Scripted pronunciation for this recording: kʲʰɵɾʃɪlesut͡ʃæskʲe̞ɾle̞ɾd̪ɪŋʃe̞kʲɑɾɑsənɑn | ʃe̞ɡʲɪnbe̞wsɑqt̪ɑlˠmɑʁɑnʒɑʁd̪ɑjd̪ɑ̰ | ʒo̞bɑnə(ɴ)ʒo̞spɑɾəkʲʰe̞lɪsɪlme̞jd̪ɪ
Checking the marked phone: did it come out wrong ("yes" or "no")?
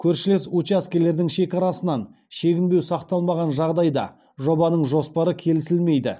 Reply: no